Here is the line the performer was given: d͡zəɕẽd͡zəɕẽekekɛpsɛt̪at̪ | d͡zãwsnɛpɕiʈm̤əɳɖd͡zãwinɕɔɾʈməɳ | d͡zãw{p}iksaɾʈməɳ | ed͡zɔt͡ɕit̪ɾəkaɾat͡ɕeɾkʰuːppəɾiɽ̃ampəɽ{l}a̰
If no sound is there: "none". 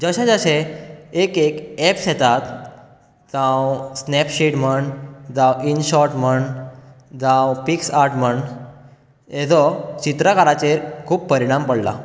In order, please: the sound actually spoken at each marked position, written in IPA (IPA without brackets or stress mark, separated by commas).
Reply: p, l